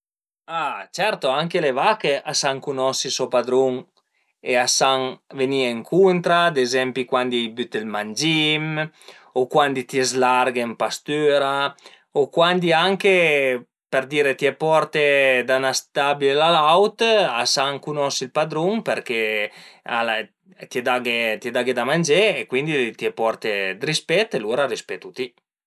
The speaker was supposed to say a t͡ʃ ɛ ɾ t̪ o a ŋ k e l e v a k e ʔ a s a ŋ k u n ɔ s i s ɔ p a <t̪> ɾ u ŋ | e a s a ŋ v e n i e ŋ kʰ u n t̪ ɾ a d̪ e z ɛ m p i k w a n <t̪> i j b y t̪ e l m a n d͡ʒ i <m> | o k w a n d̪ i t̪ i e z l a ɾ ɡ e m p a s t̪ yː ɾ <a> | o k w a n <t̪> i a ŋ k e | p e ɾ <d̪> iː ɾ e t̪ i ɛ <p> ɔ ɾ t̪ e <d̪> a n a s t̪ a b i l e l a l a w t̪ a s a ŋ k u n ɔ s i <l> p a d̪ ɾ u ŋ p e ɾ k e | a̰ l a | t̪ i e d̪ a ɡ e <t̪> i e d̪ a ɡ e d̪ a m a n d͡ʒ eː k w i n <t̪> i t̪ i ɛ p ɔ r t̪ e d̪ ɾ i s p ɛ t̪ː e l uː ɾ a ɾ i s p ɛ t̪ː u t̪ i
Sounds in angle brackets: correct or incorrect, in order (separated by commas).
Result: incorrect, incorrect, correct, correct, incorrect, correct, correct, correct, correct, correct, incorrect